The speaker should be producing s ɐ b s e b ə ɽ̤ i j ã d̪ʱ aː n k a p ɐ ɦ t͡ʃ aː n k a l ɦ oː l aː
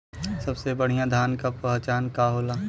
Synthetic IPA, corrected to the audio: s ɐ b s e b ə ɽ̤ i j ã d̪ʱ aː n k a p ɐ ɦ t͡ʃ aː n k a ɦ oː l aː